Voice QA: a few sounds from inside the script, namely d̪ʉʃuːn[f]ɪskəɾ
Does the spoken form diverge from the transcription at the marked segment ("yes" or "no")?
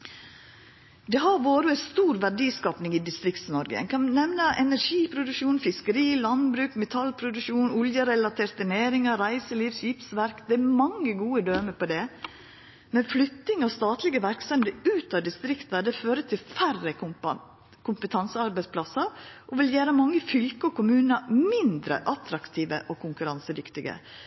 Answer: no